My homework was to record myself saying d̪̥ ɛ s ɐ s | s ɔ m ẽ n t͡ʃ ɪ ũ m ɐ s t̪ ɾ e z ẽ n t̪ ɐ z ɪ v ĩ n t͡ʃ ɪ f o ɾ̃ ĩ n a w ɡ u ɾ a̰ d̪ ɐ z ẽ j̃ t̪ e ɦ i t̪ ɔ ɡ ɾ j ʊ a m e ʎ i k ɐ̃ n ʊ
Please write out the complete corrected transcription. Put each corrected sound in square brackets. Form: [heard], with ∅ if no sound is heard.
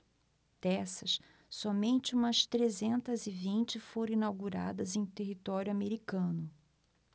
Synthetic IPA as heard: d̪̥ ɛ s ɐ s | s ɔ m ẽ n t͡ʃ ɪ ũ m ɐ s t̪ ɾ e z ẽ n t̪ ɐ z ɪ v ĩ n t͡ʃ ɪ f o ɾ̃ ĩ n a w ɡ u ɾ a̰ d̪ ɐ z ẽ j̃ t̪ e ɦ i t̪ ɔ [∅] ɾ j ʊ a m e [ɾ] i k ɐ̃ n ʊ

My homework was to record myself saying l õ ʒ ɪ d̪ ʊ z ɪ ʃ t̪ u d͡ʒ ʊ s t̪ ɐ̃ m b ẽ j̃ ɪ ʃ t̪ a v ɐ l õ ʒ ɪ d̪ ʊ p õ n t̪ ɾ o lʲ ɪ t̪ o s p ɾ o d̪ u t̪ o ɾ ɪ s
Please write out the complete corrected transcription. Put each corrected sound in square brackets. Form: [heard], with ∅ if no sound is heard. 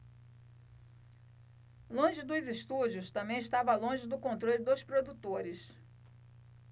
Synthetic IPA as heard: l õ ʒ ɪ d̪ ʊ z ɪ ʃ t̪ u d͡ʒ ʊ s t̪ ɐ̃ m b ẽ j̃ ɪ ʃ t̪ a v ɐ l õ ʒ ɪ d̪ ʊ [k] õ n t̪ ɾ o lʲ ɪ [d̪] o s p ɾ o d̪ u t̪ o ɾ ɪ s

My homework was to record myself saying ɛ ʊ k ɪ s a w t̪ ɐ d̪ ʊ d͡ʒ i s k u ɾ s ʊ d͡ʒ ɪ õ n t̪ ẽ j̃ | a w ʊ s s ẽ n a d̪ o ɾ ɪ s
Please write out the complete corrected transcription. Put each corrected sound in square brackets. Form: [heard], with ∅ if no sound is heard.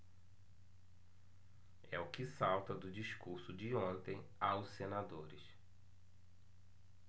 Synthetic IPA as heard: ɛ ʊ k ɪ s a w t̪ ɐ d̪ ʊ d͡ʒ i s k u ɾ s ʊ d͡ʒ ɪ õ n t̪ ẽ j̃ | a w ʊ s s [e] n a d̪ o ɾ ɪ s

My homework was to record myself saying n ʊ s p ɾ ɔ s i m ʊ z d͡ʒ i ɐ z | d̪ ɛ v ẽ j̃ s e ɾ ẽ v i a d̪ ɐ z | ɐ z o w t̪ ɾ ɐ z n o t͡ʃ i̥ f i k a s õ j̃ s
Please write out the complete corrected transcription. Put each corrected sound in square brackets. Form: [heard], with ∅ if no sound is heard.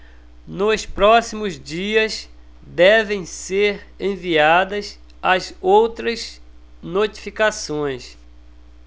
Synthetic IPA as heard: n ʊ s p ɾ ɔ s i m ʊ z d͡ʒ i ɐ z | d̪ ɛ v ẽ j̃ s e ɾ ẽ v i a d̪ ɐ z | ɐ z o w t̪ ɾ ɐ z n o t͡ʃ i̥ f i k a s õ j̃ s

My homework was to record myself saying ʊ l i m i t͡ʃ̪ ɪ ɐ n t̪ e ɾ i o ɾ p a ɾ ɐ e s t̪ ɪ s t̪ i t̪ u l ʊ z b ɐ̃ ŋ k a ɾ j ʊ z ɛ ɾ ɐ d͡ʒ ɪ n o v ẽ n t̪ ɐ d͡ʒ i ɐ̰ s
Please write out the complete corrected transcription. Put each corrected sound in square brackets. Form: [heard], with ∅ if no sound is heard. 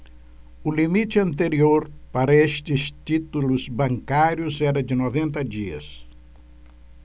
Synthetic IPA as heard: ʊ l i m i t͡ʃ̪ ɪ [ɐ̃] n t̪ e ɾ i o ɾ p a ɾ ɐ e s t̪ ɪ s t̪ i t̪ u l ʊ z b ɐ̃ ŋ k a ɾ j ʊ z ɛ ɾ ɐ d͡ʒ ɪ n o v ẽ n t̪ ɐ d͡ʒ i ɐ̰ s

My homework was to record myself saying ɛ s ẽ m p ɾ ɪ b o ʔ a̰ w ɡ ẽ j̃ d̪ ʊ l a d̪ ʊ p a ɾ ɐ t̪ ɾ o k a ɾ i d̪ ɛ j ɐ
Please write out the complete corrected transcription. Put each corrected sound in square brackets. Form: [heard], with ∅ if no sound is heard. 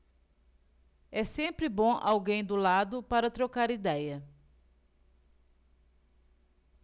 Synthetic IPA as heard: ɛ s ẽ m p ɾ ɪ b [õ] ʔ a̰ w ɡ ẽ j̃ d̪ ʊ l a d̪ ʊ p a ɾ ɐ t̪ ɾ o k a ɾ i d̪ ɛ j ɐ

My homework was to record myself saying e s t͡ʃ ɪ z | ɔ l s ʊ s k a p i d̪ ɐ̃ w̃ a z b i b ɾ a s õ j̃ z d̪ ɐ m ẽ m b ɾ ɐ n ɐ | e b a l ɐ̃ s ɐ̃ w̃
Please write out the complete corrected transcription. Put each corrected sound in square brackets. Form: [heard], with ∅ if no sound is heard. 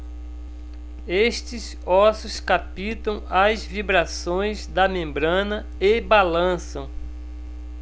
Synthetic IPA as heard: e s t͡ʃ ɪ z | ɔ [∅] s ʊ s k a p i [t̪] ɐ̃ w̃ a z [v] i b ɾ a s õ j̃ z d̪ ɐ m ẽ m b ɾ [ɐ̃] n ɐ | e b a l ɐ̃ s ɐ̃ w̃

